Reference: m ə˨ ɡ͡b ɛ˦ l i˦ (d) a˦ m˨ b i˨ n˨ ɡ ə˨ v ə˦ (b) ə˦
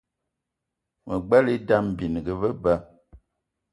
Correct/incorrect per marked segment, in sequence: correct, correct

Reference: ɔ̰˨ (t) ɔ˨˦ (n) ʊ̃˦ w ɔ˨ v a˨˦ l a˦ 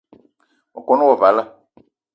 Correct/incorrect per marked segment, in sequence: incorrect: k, correct

